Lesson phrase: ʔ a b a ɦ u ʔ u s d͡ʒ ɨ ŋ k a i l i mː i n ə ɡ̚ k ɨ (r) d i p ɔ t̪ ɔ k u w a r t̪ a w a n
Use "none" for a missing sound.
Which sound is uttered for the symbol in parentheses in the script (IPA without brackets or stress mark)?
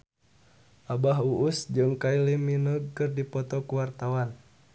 r